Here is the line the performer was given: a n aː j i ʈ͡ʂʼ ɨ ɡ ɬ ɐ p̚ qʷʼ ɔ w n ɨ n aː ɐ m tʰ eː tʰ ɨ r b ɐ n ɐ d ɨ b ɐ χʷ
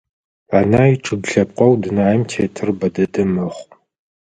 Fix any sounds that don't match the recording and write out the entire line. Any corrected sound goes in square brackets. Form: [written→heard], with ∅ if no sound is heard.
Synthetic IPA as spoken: a n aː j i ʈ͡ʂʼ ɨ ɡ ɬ ɐ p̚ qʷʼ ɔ w [n→d] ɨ n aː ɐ m tʰ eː tʰ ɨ r b ɐ [n→d] ɐ d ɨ [b→m] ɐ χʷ